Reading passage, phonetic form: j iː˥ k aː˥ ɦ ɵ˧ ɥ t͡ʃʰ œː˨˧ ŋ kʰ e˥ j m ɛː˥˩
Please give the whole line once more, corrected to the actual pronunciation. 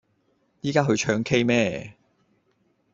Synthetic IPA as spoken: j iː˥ k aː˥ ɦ ɵ˧ ɥ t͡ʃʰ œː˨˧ ŋ kʰ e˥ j m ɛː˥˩